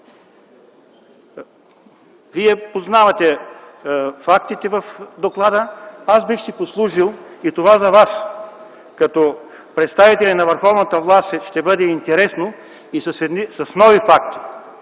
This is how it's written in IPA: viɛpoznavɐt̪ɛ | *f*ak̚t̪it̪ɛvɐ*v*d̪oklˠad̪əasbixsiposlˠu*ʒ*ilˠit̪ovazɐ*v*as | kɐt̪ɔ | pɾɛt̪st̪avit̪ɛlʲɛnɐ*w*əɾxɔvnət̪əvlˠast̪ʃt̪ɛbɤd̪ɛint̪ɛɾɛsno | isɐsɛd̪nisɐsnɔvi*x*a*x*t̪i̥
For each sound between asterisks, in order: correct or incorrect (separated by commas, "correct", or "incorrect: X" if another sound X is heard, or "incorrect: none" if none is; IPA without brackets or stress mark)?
correct, incorrect: f, correct, correct, incorrect: v, incorrect: f, incorrect: k